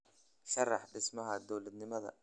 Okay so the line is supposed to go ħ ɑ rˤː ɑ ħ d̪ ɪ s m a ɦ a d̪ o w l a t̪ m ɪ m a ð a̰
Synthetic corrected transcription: ʃ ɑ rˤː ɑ ħ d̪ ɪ s m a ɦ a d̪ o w l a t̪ n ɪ m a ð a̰